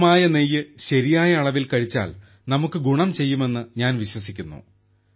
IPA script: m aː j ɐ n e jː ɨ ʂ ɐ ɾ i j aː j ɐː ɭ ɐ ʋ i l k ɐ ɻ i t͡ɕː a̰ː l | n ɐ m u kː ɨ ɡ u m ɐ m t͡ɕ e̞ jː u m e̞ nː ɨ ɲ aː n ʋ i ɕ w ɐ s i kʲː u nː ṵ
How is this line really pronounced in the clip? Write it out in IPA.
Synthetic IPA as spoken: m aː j ɐ n e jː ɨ ɕ ɐ ɾ i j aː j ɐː ɭ ɐ ʋ i l k ɐ ɻ i t͡ɕː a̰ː l | n ɐ m u kː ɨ ɡ u ɳ ɐ m t͡ɕ e̞ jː u m e̞ nː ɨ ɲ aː n ʋ i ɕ w ɐ s i kʲː u nː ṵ